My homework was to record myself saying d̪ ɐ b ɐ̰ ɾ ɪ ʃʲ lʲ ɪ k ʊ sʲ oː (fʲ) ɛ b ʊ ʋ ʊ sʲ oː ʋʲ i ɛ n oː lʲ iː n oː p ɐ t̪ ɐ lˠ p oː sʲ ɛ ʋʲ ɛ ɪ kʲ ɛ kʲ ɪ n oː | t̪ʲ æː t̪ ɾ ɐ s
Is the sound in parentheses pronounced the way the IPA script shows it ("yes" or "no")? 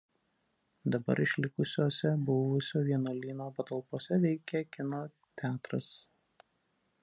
no